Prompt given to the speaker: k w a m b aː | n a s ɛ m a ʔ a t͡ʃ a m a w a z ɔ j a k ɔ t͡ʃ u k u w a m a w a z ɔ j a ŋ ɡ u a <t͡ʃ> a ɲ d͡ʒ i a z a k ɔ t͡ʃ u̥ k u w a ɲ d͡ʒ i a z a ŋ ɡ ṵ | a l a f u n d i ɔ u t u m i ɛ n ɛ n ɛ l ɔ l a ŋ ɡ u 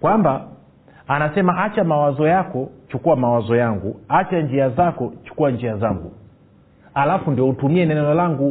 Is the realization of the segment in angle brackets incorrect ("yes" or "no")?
no